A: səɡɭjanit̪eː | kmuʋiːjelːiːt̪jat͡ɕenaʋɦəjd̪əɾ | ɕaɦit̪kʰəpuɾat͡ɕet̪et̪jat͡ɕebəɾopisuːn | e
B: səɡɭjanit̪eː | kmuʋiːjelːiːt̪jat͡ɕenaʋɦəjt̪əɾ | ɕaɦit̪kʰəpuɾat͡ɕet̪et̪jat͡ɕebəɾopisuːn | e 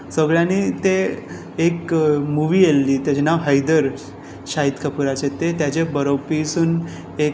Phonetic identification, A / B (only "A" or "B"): A